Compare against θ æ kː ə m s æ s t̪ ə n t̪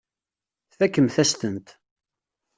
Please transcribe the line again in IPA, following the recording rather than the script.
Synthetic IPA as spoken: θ æ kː ə m θ æ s t̪ ə n t̪